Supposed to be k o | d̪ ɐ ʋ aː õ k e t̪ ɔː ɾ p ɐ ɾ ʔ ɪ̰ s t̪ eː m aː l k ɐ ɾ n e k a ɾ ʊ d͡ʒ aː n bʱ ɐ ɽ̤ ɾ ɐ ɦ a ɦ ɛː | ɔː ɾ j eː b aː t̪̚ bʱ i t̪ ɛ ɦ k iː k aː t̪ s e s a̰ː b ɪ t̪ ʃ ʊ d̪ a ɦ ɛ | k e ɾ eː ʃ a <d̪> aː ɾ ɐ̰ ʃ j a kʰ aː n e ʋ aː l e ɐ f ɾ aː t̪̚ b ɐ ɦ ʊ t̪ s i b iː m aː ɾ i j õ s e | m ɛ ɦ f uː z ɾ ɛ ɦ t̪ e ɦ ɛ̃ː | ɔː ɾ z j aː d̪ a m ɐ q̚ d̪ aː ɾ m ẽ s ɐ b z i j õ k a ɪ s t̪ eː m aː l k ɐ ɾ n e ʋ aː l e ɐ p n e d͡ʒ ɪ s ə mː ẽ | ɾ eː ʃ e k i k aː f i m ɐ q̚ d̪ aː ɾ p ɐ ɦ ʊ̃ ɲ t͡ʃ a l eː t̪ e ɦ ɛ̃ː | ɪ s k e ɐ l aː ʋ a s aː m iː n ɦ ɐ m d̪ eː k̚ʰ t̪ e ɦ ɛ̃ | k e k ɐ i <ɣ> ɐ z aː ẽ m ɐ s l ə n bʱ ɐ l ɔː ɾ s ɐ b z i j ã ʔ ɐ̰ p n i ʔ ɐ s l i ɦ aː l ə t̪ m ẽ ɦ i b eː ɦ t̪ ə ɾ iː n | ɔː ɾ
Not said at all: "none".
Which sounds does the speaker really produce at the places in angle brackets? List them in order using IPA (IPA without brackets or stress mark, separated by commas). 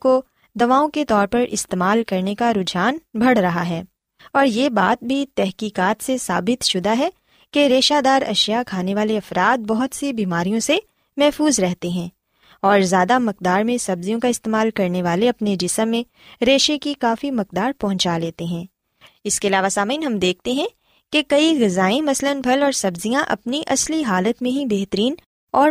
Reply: d̪, ɣ